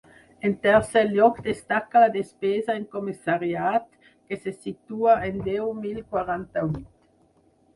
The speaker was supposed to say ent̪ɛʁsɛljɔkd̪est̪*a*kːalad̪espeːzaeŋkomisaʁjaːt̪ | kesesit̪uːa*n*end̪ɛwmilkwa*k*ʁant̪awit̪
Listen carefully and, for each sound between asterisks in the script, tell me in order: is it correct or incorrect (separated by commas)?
correct, incorrect, incorrect